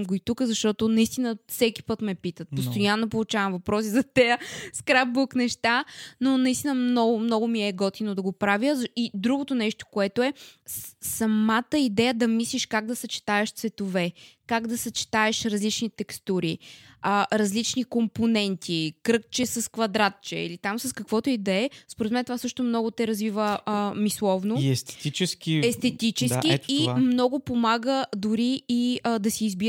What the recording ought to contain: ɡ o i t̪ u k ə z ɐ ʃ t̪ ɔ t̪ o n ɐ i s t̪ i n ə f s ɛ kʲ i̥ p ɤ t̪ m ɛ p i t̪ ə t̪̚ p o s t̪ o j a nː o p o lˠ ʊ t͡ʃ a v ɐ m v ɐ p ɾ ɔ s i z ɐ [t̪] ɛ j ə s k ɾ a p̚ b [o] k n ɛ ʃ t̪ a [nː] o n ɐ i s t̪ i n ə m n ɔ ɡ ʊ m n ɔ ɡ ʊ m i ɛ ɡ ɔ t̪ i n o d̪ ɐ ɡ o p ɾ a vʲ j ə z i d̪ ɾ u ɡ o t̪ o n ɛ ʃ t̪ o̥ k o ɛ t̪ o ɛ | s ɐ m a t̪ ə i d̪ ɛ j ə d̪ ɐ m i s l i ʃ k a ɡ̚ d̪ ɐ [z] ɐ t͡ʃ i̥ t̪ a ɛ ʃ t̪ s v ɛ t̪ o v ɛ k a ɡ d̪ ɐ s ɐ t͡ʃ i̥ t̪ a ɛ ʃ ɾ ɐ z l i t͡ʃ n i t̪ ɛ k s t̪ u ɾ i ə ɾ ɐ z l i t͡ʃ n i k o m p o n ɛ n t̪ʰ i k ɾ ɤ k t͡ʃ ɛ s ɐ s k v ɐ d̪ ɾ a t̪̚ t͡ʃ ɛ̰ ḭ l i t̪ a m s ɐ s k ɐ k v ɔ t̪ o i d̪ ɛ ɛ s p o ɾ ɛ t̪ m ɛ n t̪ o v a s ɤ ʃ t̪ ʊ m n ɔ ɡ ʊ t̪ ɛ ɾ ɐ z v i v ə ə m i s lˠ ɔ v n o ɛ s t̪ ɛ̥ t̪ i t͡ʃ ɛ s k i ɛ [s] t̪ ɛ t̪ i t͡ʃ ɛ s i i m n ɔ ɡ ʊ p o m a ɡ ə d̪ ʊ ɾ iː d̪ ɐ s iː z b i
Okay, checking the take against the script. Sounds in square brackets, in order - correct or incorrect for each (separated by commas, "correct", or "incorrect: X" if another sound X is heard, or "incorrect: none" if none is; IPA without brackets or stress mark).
correct, incorrect: u, incorrect: n, incorrect: s, correct